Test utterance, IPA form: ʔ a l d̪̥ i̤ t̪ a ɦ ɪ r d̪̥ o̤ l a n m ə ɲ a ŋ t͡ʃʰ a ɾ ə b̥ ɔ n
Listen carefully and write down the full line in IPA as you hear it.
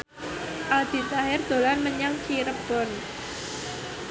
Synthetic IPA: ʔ a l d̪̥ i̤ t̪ a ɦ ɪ r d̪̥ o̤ l a n m ə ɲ a ŋ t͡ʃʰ i ɾ ə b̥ ɔ n